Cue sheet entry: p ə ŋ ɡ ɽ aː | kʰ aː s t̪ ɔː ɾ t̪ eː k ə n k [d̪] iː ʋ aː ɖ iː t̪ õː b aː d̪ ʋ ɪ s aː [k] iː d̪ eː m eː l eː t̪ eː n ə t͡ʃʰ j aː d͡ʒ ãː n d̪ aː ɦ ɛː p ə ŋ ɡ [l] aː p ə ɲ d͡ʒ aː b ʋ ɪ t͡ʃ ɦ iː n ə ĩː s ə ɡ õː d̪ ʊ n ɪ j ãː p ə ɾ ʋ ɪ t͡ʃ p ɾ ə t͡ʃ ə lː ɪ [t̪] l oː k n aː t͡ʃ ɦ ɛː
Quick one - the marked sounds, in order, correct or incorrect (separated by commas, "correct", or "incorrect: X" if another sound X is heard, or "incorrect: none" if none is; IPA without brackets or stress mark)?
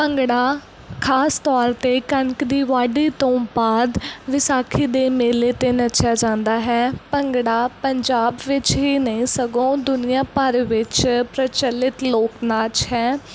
correct, incorrect: kʰ, incorrect: ɽ, correct